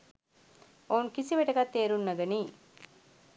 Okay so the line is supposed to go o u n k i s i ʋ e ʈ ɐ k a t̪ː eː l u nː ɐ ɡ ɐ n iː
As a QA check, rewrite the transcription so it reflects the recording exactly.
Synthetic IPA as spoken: o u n k i s i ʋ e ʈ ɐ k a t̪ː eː ɾ u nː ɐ ɡ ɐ n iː